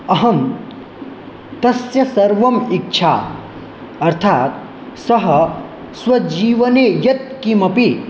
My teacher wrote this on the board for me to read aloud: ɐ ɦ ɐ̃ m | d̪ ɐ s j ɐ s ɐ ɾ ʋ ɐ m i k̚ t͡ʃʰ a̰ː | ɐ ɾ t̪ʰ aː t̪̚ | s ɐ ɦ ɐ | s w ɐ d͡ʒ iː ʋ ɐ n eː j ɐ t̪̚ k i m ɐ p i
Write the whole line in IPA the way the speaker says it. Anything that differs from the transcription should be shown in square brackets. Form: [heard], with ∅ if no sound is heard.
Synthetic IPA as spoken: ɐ ɦ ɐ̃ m | [t̪] ɐ s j ɐ s ɐ ɾ ʋ ɐ m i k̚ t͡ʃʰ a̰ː | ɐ ɾ t̪ʰ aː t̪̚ | s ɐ ɦ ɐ | s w ɐ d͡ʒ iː ʋ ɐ n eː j ɐ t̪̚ k i m ɐ p i

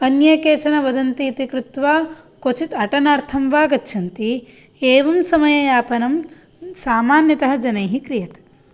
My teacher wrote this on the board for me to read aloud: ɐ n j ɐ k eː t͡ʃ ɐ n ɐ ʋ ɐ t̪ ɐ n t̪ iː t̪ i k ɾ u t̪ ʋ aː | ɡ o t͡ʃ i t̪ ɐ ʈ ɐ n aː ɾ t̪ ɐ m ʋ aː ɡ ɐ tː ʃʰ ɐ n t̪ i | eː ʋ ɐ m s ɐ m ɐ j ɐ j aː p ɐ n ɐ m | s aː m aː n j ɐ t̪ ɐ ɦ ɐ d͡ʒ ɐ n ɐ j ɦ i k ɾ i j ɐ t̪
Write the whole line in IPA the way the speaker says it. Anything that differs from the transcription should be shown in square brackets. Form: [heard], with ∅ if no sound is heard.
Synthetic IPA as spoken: ɐ n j ɐ k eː t͡ʃ ɐ n ɐ ʋ ɐ [d̪] ɐ n t̪ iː t̪ i k ɾ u t̪ ʋ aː | [k] o t͡ʃ i t̪ ɐ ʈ ɐ n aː ɾ [t̪ʰ] ɐ m ʋ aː ɡ ɐ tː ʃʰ ɐ n t̪ i | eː ʋ ɐ m s ɐ m ɐ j ɐ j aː p ɐ n ɐ m | s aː m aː n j ɐ t̪ ɐ ɦ ɐ d͡ʒ ɐ n ɐ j ɦ i k ɾ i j ɐ t̪

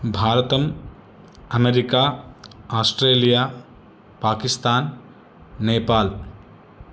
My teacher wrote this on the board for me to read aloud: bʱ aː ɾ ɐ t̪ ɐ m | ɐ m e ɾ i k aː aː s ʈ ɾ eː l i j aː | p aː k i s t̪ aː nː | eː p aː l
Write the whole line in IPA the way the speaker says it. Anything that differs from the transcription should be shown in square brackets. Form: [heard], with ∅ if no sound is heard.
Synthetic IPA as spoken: bʱ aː ɾ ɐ t̪ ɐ m | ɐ m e ɾ i k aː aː s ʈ ɾ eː l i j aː | p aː k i s t̪ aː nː | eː p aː l

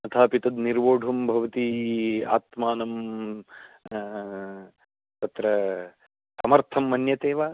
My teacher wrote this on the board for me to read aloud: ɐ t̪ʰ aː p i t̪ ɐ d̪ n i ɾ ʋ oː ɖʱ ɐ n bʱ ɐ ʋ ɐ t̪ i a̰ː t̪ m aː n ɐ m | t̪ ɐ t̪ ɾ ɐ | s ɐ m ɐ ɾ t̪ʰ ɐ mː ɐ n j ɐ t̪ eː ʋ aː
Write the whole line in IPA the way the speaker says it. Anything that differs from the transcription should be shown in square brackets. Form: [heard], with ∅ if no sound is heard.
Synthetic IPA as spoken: ɐ t̪ʰ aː p i t̪ ɐ d̪ n i ɾ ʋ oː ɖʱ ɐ [m] bʱ ɐ ʋ ɐ t̪ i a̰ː t̪ m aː n ɐ m | t̪ ɐ t̪ ɾ ɐ | s ɐ m ɐ ɾ t̪ʰ ɐ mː ɐ n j ɐ t̪ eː ʋ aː

